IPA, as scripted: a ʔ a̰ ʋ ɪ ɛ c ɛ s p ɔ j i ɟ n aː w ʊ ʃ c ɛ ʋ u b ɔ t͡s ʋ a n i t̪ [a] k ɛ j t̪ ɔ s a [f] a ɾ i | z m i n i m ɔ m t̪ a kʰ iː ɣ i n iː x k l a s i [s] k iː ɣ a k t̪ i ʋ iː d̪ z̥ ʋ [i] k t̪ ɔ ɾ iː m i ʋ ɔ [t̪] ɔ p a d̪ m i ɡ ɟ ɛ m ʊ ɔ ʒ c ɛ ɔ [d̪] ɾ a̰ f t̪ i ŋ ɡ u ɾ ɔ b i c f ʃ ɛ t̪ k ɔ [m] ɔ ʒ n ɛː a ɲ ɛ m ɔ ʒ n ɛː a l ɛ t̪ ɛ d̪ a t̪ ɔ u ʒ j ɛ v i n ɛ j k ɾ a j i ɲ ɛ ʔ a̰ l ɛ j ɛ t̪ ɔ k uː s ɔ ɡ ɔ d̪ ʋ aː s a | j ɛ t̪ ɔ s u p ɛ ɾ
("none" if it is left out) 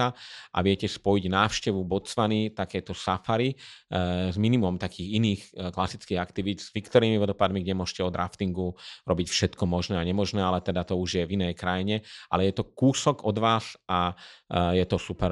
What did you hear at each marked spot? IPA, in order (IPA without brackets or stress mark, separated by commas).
a, f, t͡s, i, d̪, d̪, m